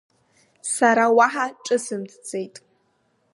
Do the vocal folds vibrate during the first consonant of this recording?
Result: no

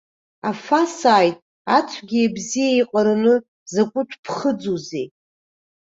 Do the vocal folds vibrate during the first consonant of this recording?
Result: no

